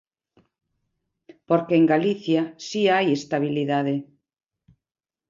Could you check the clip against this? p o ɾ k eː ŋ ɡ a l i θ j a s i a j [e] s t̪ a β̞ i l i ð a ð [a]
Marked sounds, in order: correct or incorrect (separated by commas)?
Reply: correct, incorrect